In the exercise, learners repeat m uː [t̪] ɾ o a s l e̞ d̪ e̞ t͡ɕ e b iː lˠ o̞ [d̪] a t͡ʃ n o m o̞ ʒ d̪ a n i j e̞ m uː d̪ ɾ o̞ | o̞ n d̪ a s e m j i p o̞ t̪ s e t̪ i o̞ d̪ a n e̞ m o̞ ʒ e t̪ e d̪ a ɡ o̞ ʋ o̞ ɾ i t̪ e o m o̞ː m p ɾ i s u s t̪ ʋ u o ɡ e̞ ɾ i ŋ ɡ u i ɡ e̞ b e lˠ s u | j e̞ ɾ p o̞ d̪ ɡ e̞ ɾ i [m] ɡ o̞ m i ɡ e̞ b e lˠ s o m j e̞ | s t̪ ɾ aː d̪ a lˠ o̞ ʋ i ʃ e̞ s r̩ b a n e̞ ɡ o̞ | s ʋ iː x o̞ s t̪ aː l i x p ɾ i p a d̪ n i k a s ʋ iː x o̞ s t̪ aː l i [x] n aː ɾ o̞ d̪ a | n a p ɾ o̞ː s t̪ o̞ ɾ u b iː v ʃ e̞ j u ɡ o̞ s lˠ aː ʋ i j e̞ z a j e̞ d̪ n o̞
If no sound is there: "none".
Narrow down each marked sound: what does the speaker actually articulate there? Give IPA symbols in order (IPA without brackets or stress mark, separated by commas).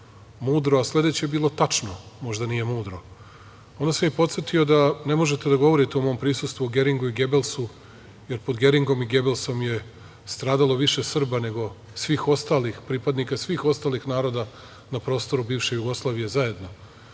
d̪, t̪, ŋ, x